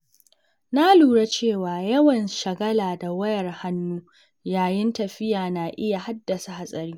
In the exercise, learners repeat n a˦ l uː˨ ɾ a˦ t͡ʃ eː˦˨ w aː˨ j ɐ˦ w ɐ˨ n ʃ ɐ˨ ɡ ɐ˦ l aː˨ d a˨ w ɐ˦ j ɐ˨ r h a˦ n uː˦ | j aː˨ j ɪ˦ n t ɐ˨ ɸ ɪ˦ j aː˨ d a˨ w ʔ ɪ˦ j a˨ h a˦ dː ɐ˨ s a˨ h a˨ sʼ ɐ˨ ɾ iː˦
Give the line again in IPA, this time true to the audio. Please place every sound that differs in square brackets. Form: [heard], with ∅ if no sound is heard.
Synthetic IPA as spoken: n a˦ l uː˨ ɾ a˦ t͡ʃ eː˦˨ w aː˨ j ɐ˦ w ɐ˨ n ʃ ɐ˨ ɡ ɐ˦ l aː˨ d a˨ w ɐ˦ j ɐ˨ r h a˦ [nː] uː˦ | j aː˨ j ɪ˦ n t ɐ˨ ɸ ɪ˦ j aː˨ [n] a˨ [∅] ʔ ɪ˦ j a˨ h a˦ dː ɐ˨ s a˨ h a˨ sʼ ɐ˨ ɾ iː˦